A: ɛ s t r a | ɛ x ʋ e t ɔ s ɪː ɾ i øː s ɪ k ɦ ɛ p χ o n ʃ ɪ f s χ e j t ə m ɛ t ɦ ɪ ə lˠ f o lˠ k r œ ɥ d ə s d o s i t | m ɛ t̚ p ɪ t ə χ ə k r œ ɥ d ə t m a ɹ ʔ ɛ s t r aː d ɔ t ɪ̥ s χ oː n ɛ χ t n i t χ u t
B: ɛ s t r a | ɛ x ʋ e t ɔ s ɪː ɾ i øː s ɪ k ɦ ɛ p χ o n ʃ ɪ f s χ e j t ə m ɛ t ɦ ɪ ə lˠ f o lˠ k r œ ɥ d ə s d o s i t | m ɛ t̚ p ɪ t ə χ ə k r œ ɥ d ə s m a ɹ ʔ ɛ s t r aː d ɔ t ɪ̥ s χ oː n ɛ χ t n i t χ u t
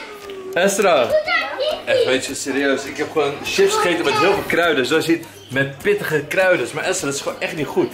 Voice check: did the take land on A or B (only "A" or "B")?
B